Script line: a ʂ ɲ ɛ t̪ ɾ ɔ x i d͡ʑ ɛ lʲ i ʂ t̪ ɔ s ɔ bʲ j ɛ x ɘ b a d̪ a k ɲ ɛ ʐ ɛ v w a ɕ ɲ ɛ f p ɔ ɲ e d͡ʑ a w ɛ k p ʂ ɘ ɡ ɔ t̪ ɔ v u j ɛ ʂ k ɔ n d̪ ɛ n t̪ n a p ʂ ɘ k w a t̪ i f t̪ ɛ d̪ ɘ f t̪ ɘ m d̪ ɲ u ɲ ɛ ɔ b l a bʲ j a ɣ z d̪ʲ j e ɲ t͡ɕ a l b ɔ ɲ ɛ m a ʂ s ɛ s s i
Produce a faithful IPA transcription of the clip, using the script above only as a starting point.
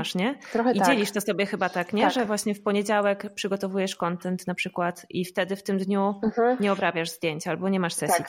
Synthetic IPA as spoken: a ʂ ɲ ɛ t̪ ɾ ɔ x i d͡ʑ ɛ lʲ i ʂ t̪ ɔ s ɔ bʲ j ɛ x ɘ b a t̪ a k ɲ ɛ ʐ ɛ v w a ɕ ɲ ɛ f p ɔ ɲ e d͡ʑ a w ɛ k p ʂ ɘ ɡ ɔ t̪ ɔ v u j ɛ ʂ k ɔ n t̪ ɛ n t̪ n a p ʂ ɘ k w a t̪ i f t̪ ɛ d̪ ɘ f t̪ ɘ m d̪ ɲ u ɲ ɛ ɔ b ɾ a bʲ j a ʐ z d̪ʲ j e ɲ t͡ɕ a l b ɔ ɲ ɛ m a ʂ s ɛ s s i